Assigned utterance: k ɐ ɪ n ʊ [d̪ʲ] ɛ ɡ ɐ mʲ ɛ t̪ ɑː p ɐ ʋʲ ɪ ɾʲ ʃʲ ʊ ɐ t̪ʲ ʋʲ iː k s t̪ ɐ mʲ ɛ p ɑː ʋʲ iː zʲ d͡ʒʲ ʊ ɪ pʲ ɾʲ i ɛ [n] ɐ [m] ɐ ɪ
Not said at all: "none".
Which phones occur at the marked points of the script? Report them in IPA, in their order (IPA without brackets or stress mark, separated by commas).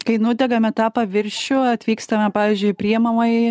d̪ʲ, m, m